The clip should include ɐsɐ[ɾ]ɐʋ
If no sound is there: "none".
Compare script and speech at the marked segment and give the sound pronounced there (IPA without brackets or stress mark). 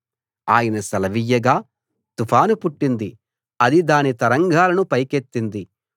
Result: l